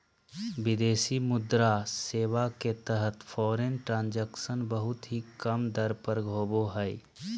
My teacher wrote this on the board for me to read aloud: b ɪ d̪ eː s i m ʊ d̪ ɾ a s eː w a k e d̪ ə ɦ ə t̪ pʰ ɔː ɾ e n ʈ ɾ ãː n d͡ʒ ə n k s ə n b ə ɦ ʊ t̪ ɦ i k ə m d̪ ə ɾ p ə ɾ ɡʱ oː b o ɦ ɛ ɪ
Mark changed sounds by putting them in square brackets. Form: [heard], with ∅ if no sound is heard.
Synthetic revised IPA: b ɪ d̪ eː s i m ʊ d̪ ɾ a s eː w a k e [t̪] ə ɦ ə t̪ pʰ ɔː ɾ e n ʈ ɾ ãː n d͡ʒ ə [∅] k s ə n b ə ɦ ʊ t̪ ɦ i k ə m d̪ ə ɾ p ə ɾ ɡʱ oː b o ɦ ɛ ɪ

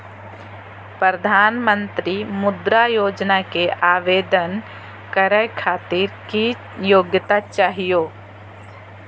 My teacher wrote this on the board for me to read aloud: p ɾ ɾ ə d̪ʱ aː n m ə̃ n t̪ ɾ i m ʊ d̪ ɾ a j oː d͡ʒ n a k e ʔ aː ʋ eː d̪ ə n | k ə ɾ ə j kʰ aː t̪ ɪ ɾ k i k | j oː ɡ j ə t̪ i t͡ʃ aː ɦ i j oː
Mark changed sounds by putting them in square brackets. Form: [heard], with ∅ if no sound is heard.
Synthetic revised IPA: p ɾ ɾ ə d̪ʱ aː n m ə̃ n t̪ ɾ i m ʊ d̪ ɾ a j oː d͡ʒ n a k e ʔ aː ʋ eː d̪ ə n | k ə ɾ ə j kʰ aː t̪ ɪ ɾ k i [∅] | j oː ɡ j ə t̪ [a] t͡ʃ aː ɦ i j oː

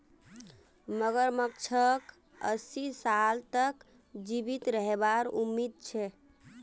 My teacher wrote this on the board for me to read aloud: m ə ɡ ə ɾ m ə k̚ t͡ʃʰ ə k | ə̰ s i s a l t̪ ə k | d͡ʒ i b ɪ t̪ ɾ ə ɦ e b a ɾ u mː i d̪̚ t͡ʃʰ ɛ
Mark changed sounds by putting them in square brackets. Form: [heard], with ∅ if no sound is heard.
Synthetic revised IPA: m ə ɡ ə ɾ m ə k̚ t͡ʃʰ ə k | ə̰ s i s a l t̪ ə k | d͡ʒ i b [i] t̪ ɾ ə ɦ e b a ɾ u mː i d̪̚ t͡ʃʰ ɛ

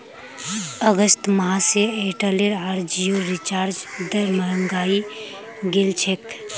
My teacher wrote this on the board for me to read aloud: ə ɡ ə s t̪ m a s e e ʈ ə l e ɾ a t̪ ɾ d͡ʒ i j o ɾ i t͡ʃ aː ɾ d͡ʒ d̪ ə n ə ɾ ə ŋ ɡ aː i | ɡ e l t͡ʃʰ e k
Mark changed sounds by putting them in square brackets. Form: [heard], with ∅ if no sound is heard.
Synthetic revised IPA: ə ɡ ə s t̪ m a s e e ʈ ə l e ɾ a [∅] ɾ d͡ʒ i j o ɾ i t͡ʃ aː ɾ d͡ʒ d̪ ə [m] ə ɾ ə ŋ ɡ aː i | ɡ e l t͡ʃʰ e k

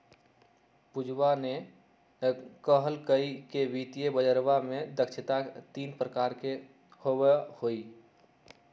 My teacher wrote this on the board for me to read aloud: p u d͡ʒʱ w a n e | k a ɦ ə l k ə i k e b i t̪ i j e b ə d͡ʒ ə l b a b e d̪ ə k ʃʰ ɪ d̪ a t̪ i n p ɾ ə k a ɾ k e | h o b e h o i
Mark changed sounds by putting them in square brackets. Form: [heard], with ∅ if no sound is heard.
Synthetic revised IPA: p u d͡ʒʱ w a n e | k [ə] ɦ ə l k ə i k e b i t̪ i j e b ə d͡ʒ ə [ɾ] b a [m] e d̪ ə k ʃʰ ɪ [t̪] a t̪ i n p ɾ ə k a ɾ k e | h o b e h o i

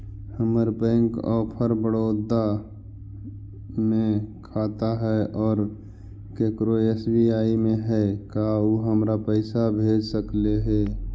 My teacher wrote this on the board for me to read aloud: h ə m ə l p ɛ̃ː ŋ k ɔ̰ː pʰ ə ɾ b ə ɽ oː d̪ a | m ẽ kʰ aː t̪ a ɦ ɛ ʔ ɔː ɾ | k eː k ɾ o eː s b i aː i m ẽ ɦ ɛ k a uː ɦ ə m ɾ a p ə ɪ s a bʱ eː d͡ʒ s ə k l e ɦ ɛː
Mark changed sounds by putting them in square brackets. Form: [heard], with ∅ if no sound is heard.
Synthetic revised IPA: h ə m ə [ɾ] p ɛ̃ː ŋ k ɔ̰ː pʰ ə ɾ b ə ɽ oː d̪ a | m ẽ kʰ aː t̪ a ɦ ɛ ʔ ɔː ɾ | k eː k ɾ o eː s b i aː i m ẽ ɦ ɛ k a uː ɦ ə m ɾ a p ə ɪ s a bʱ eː d͡ʒ s ə k l e ɦ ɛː

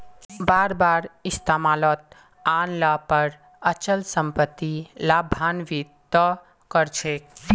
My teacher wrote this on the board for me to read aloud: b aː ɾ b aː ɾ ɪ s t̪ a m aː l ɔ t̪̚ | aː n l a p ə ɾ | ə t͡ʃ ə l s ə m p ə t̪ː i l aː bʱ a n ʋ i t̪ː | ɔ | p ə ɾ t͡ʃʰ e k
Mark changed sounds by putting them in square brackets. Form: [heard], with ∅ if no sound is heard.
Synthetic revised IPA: b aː ɾ b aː ɾ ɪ s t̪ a m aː l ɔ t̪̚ | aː n l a p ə ɾ | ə t͡ʃ ə l s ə m p ə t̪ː i l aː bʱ a n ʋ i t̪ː | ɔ | [k] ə ɾ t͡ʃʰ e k

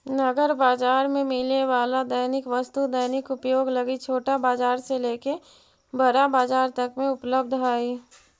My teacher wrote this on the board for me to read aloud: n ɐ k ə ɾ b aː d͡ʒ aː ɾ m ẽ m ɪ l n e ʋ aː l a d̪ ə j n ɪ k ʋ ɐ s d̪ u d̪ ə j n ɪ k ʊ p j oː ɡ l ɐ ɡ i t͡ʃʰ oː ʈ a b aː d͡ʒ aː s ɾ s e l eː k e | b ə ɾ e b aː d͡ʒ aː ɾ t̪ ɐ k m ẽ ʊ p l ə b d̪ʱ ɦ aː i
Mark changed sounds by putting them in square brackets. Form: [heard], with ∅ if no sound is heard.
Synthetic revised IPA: n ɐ [ɡ] ə ɾ b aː d͡ʒ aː ɾ m ẽ m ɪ l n e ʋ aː l a d̪ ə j n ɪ k ʋ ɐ s [t̪] u d̪ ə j n ɪ k ʊ p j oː ɡ l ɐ ɡ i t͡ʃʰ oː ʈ a b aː d͡ʒ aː [∅] ɾ s e l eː k e | b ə ɾ [a] b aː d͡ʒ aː ɾ t̪ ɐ k m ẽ ʊ p l ə b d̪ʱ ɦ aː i

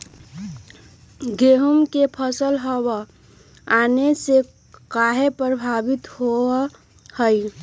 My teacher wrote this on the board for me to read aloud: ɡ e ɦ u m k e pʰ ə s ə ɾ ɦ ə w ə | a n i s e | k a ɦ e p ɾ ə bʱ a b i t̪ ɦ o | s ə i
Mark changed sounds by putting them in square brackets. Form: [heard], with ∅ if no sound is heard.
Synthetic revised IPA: ɡ e ɦ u m k e pʰ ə s ə [l] ɦ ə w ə | a n [e] s e | k a ɦ e p ɾ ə bʱ a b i t̪ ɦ o | [h] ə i

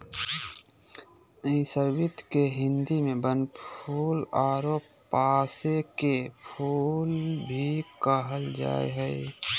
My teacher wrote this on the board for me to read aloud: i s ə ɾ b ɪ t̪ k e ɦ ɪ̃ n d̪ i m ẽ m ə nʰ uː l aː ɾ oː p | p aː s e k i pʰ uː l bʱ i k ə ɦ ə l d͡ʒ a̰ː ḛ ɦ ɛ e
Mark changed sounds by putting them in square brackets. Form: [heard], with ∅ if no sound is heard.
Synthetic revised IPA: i s ə ɾ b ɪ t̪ k e ɦ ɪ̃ n d̪ i m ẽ [b] ə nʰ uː l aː ɾ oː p | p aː s e k [e] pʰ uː l bʱ i k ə ɦ ə l d͡ʒ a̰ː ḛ ɦ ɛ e

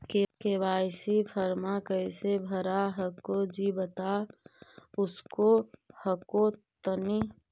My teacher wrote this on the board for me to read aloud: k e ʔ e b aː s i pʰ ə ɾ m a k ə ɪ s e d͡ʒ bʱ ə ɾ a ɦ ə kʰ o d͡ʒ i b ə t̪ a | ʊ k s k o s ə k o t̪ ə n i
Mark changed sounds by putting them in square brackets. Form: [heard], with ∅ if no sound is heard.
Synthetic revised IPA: k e [k] e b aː s i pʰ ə ɾ m a k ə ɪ s e [∅] bʱ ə ɾ a ɦ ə [k] o d͡ʒ i b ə t̪ a | ʊ [∅] s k o [h] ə k o t̪ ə n i

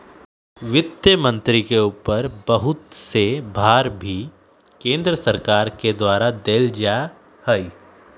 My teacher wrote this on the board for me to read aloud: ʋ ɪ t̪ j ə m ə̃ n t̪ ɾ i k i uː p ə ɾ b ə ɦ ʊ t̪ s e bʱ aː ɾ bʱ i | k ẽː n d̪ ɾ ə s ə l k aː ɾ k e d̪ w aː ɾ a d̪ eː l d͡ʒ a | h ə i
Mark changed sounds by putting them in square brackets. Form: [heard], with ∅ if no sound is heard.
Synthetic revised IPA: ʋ ɪ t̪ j ə m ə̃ n t̪ ɾ i k [e] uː p ə ɾ b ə ɦ ʊ t̪ s e bʱ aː ɾ bʱ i | k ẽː n d̪ ɾ ə s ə [ɾ] k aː ɾ k e d̪ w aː ɾ a d̪ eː l d͡ʒ a | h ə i

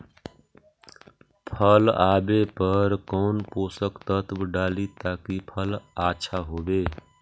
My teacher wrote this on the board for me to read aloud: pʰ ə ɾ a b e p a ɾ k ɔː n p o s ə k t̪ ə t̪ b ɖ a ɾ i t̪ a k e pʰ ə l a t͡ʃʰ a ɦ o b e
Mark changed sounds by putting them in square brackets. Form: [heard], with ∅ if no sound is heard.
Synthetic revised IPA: pʰ ə [l] a b e p [ə] ɾ k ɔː n p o s ə k t̪ ə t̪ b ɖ a [l] i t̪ a k [i] pʰ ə l a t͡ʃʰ a ɦ o b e

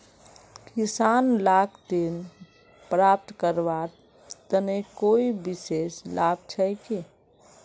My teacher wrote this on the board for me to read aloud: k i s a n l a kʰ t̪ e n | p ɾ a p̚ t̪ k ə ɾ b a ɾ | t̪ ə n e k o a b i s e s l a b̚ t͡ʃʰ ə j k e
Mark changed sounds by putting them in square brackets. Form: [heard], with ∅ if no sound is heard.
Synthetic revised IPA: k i s a n l a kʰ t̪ e n | p ɾ a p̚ t̪ k ə ɾ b a ɾ | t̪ ə n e k o [i] b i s e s l a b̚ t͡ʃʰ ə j k e

